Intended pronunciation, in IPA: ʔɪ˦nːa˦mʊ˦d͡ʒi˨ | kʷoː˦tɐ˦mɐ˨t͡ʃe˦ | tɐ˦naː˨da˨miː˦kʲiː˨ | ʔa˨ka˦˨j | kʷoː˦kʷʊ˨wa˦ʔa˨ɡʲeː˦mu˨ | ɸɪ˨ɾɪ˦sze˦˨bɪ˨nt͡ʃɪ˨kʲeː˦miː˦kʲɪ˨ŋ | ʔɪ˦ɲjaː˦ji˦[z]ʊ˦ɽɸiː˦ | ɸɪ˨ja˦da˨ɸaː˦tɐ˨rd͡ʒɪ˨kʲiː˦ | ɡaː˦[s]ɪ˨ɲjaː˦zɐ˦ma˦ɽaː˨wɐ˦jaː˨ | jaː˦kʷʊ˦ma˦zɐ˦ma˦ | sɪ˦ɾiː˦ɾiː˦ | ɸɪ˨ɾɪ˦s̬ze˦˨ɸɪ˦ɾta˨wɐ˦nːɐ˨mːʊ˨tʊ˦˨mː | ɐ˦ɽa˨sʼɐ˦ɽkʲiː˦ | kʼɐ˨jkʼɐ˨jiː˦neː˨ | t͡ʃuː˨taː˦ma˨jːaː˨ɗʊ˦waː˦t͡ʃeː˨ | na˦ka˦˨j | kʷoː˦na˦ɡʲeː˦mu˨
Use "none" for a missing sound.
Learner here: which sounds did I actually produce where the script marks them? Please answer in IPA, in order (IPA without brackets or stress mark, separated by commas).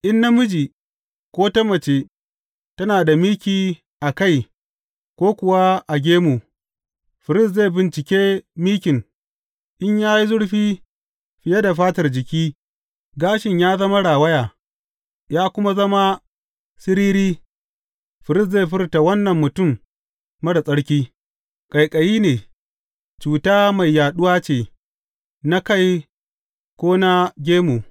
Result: z, ʃ